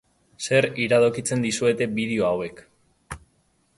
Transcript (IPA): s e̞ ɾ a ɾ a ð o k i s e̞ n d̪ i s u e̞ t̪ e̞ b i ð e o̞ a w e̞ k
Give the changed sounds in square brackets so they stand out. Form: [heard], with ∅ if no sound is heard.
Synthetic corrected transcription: s e̞ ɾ [i] ɾ a ð o k i [t͡s] e̞ n d̪ i s u e̞ t̪ e̞ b i ð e o̞ a w e̞ k